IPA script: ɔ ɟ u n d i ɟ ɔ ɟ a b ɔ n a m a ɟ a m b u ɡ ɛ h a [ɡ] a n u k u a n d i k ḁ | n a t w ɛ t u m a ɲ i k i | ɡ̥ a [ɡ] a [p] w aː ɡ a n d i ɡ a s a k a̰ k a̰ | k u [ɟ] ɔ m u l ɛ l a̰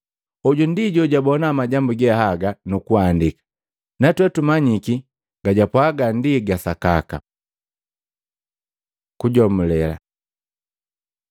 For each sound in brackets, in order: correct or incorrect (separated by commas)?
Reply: correct, incorrect, correct, correct